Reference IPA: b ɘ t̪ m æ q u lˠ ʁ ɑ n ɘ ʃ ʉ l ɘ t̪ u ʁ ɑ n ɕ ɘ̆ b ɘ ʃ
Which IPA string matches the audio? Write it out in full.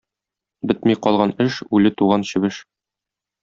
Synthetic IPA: b ɘ t̪ m i q ɒ lˠ ʁ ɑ n ɘ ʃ ʉ l ɘ t̪ u ʁ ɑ n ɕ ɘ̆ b ɘ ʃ